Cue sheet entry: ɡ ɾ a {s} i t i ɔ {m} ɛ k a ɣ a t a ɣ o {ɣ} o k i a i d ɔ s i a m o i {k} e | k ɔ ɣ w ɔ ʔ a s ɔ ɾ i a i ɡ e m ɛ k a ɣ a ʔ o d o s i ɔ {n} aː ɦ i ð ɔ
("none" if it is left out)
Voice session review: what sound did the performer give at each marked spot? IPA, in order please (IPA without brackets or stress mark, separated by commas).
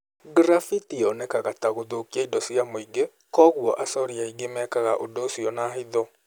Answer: f, n, ð, ɡ, n